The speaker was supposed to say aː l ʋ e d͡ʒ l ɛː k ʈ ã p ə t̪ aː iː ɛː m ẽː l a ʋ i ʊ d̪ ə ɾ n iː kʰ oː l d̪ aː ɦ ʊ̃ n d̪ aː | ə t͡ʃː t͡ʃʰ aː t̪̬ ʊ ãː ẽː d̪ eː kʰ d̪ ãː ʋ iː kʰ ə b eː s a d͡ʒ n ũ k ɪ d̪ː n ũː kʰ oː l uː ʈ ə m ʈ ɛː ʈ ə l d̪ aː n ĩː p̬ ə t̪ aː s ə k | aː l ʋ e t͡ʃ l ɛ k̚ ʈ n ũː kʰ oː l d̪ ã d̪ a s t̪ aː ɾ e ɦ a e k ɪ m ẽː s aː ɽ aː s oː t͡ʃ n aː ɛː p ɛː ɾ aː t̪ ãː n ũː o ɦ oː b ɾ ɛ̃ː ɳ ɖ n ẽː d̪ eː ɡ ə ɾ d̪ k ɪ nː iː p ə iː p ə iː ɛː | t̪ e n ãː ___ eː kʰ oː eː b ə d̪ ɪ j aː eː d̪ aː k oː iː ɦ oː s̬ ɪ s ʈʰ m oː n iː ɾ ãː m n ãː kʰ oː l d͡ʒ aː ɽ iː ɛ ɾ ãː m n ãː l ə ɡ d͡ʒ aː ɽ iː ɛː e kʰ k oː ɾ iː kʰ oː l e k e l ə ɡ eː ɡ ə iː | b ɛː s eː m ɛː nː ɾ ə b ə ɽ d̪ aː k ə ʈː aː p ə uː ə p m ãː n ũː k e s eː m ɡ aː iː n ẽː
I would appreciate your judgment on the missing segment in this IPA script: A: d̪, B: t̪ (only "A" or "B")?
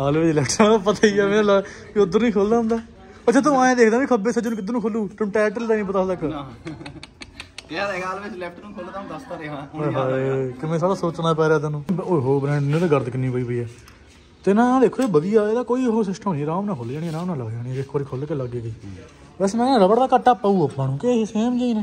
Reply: A